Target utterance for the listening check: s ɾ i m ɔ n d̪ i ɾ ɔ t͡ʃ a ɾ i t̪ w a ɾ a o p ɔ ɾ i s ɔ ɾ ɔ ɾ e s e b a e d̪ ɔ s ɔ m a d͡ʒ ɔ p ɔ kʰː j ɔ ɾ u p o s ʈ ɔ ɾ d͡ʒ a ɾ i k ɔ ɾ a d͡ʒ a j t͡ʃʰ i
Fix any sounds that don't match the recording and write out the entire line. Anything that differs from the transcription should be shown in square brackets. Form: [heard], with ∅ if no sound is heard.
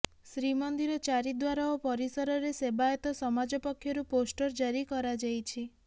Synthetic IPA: s ɾ i m ɔ n d̪ i ɾ ɔ t͡ʃ a ɾ i [d̪] w a ɾ a o p ɔ ɾ i s ɔ ɾ ɔ ɾ e s e b a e [t̪] ɔ s ɔ m a d͡ʒ ɔ p ɔ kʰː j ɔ ɾ u p o s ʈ ɔ ɾ d͡ʒ a ɾ i k ɔ ɾ a d͡ʒ a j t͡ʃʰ i